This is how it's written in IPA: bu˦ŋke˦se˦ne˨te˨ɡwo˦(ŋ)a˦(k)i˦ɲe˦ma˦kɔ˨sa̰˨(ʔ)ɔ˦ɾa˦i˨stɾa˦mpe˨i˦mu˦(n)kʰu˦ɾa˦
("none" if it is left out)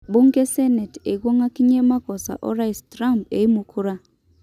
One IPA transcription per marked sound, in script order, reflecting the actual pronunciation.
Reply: ŋ, k, ʔ, none

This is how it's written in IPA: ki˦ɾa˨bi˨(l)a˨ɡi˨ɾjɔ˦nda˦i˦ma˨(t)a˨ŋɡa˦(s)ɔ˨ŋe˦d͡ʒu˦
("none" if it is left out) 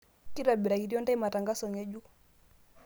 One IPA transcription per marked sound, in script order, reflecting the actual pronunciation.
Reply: ɾ, t, s

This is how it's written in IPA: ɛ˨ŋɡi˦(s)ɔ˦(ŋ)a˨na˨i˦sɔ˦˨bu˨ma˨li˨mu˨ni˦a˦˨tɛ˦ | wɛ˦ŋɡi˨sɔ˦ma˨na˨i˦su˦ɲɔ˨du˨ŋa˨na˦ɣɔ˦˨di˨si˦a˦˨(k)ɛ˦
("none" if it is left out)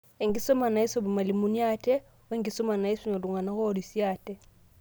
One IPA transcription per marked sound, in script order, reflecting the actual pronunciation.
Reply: s, m, t

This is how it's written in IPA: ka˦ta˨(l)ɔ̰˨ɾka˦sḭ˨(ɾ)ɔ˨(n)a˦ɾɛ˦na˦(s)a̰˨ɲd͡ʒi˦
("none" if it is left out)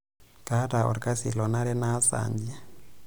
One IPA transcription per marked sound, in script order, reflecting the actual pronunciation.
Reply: none, l, n, s

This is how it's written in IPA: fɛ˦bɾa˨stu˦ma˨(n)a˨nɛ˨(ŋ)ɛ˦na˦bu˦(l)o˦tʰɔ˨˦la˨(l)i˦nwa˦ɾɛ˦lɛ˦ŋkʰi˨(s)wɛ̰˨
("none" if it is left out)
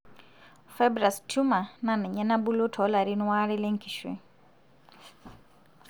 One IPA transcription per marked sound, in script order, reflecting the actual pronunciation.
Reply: n, ɲ, l, ɾ, ʃ

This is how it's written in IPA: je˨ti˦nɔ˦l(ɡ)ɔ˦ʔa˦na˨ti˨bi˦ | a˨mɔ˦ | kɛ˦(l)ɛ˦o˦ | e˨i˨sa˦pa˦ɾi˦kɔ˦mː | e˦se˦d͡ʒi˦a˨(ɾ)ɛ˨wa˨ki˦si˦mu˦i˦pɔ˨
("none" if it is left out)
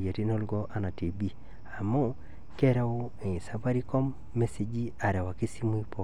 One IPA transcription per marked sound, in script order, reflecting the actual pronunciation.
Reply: ɡ, ɾ, ɾ

